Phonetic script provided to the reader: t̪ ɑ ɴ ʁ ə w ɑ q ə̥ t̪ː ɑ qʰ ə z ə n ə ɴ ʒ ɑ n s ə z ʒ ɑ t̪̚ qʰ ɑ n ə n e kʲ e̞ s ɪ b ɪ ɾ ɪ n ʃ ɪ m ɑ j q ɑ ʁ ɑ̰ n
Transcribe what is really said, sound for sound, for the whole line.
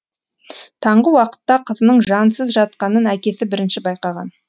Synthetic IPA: t̪ʰ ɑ ɴ ʁ ə w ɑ q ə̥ t̪ː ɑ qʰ ə z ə n ə ɴ ʒ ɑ n s ə z ʒ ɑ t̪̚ q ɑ n ə n æ kʲ e̞ s ɪ b ɪ ɾ ɪ n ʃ ɪ b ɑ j q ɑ ʁ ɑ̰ n

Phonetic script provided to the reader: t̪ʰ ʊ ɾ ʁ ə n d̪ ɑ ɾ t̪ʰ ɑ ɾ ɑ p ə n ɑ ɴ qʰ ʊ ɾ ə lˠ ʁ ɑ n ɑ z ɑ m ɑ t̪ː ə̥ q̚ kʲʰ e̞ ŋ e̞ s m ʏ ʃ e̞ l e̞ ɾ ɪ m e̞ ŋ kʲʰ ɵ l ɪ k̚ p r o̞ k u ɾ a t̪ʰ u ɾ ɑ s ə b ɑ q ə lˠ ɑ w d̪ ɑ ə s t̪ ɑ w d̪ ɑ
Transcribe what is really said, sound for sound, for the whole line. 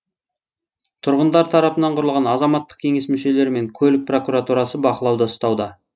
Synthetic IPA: t̪ʰ ʊ ɾ ʁ ə n d̪ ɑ ɾ t̪ʰ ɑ ɾ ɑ p ə n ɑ ɴ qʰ ʊ ɾ ə lˠ ʁ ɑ n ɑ z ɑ m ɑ t̪ː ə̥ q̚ kʲʰ e̞ ŋ e̞ s m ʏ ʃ e̞ l e̞ ɾ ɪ m e̞ ŋ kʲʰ ɵ l ɪ k̚ p r o̞ k u ɾ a t̪ u ɾ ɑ s ə b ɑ q ə lˠ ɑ w d̪ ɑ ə s t̪ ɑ w d̪ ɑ

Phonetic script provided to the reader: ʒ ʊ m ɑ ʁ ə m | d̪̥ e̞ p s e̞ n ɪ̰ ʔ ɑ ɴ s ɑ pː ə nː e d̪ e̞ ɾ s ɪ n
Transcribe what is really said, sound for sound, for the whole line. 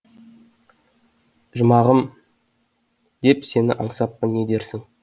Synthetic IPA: ʒ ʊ m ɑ ʁ ə m | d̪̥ e̞ p s e̞ n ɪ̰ ʔ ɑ ɴ s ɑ pː ə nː e d̪ e̞ ɾ s ɪ ŋ

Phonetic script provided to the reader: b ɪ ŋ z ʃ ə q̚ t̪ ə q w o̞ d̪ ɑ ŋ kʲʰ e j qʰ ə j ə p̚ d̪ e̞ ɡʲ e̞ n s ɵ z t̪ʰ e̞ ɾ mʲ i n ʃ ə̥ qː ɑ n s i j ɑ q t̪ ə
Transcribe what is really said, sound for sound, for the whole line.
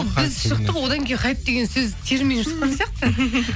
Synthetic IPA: b ɪ z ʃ ə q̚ t̪ ə p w o̞ d̪ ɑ ŋ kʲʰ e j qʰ ɑ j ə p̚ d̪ e̞ ɡʲ e̞ n s ɵ z t̪ʰ e̞ ɾ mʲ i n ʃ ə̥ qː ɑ n s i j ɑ q t̪ ə

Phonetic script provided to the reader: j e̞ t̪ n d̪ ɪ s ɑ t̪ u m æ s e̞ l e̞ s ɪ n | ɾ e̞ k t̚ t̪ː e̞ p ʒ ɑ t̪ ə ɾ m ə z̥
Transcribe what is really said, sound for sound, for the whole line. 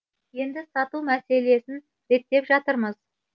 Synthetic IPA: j e̞ n d̪ ɪ s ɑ t̪ u m æ s e̞ l e̞ s ɪ n | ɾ e̞ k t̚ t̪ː e̞ p ʒ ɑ t̪ ə ɾ m ə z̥

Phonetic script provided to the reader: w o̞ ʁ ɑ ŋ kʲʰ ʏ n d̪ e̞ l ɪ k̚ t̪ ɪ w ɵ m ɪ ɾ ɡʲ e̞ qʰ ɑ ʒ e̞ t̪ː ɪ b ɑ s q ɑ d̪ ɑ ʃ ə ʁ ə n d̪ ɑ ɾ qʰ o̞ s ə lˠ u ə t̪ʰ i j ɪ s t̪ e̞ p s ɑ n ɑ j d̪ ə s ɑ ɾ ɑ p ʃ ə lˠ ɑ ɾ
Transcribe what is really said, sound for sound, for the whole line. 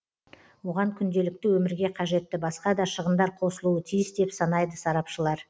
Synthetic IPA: w o̞ ʁ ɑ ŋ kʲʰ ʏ n d̪ e̞ l ɪ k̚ t̪ ɪ w ɵ m ɪ ɾ ɡʲ e̞ qʰ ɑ ʒ e̞ t̪ː ɪ b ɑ s q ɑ d̪ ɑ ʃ ə ʁ ə n d̪ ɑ ɾ qʰ o̞ s ə lˠ u ə t̪ʰ i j ɪ s d̪ e̞ p s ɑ n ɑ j d̪ ə s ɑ ɾ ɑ p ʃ ə lˠ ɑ ɾ

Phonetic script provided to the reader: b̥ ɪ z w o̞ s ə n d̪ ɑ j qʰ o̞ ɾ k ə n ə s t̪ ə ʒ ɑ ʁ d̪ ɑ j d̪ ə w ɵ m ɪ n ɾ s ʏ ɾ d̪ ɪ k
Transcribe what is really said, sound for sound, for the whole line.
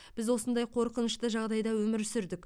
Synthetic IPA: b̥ ɪ z w o̞ s ə n d̪ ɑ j qʰ o̞ ɾ q ə n ə ʃ t̪ ə ʒ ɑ ʁ d̪ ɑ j d̪ ɑ w ɵ m ɪ ɾ s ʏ ɾ d̪ ɪ k

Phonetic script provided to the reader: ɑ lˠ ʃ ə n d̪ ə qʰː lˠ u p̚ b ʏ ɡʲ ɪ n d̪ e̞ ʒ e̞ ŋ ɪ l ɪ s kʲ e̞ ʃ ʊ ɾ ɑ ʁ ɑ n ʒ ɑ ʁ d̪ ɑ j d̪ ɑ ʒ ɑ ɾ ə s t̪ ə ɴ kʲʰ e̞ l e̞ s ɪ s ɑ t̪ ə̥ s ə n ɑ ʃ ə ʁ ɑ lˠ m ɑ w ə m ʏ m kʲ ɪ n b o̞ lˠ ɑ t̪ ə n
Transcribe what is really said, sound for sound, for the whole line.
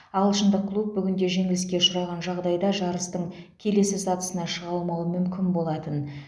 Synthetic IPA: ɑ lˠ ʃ ə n d̪ ə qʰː lˠ u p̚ b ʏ ɡʲ ɪ n d̪ e̞ ʒ e̞ ŋ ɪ l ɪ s kʲ e̞ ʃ ʊ ɾ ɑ ʁ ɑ n ʒ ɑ ʁ d̪ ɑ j d̪ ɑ ʒ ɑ ɾ ə s t̪ ə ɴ kʲʰ e̞ l e̞ s ɪ s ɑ t̪ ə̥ s ə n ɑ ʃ ə ʁ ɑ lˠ m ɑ w ə m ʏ m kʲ ɪ n b o̞ lˠ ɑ t̪ ə n

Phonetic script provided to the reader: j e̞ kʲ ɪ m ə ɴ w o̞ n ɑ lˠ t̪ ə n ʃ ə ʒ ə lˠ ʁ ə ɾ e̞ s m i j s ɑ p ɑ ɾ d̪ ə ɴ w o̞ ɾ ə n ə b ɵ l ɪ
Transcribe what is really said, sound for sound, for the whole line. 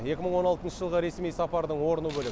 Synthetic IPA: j e̞ kʲ ɪ m ə ɴ w o̞ n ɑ lˠ t̪ ə n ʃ ə ʒ ə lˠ ʁ ə ɾ e̞ s m i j s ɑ p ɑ ɾ d̪ ə ɴ w o̞ ɾ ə n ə b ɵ l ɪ

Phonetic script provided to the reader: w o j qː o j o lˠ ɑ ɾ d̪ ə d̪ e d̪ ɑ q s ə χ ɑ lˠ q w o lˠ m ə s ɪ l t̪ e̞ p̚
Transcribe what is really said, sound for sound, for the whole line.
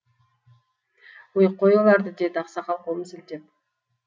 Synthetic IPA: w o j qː o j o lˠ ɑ ɾ d̪ ə d̪ e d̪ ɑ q s ɑ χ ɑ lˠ q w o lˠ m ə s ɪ l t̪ e̞ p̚

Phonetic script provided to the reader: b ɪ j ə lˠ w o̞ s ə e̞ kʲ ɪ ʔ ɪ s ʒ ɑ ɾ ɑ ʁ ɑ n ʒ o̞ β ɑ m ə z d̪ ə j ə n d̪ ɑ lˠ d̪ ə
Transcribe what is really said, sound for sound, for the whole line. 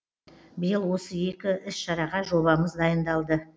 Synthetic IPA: b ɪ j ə lˠ w o̞ s ə e̞ kʲ ɪ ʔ ɪ s ʃ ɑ ɾ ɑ ʁ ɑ ʒ o̞ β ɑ m ə z d̪ ɑ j ə n d̪ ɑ lˠ d̪ ə

